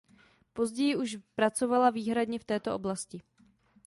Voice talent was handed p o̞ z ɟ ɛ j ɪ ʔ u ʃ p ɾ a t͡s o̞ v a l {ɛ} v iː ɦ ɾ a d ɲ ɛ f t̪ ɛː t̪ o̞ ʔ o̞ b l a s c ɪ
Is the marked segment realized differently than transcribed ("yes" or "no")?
yes